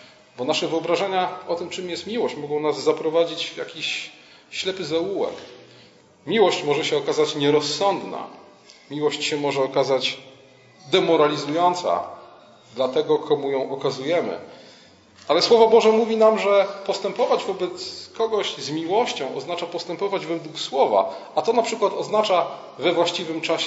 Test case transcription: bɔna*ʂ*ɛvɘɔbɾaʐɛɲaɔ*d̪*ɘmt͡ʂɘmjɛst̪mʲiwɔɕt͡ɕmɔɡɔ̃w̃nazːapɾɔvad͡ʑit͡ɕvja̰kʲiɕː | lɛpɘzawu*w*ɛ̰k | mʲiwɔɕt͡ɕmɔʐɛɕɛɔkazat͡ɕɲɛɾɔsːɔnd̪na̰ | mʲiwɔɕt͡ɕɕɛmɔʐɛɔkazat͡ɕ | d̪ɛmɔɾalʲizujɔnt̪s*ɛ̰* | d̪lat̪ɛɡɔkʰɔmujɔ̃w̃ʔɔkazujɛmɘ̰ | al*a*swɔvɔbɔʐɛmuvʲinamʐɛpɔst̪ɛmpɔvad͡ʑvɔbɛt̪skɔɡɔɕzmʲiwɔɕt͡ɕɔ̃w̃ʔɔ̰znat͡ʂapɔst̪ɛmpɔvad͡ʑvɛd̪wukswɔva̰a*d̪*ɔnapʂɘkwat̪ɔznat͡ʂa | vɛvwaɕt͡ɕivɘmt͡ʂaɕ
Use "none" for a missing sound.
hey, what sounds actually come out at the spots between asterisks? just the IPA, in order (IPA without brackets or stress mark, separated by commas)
ʂ, t̪, w, a̰, ɛ, t̪